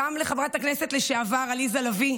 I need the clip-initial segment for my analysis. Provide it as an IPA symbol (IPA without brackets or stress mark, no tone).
a